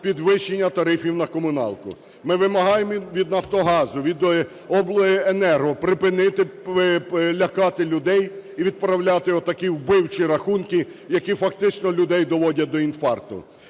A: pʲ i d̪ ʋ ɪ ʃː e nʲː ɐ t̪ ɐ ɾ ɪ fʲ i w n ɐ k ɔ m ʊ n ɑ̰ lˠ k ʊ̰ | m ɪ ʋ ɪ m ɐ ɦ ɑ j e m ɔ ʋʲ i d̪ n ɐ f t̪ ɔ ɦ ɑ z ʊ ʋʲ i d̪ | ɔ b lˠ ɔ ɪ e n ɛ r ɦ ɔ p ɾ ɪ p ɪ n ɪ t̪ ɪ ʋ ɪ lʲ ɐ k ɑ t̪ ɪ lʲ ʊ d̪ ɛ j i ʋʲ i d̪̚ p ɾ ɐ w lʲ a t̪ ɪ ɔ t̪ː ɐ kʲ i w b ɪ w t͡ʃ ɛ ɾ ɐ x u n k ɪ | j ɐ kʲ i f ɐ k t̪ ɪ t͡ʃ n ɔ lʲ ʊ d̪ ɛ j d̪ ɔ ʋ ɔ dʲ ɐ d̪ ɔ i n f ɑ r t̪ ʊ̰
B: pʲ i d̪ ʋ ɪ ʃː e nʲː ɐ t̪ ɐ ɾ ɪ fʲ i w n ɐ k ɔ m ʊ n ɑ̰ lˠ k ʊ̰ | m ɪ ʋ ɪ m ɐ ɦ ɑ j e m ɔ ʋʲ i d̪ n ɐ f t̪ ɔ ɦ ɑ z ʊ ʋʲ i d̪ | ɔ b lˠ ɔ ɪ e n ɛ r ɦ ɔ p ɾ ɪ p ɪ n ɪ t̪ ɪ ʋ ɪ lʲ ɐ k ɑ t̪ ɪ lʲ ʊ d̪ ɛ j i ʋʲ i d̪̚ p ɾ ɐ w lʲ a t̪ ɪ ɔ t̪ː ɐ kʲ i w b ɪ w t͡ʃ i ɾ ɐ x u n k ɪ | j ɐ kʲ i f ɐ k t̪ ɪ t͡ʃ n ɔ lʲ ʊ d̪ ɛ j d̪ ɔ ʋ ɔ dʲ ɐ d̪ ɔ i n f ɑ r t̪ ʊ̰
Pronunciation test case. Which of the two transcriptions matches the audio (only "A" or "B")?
B